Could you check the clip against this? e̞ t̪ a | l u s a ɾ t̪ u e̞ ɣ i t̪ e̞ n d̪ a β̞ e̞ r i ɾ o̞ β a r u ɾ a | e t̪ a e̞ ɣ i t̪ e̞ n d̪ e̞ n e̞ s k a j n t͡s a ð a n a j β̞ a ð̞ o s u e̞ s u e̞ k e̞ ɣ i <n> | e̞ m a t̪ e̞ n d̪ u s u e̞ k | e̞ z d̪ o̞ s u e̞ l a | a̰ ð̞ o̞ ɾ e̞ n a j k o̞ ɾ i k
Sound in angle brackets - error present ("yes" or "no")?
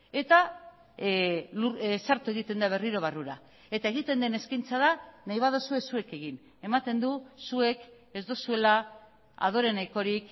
no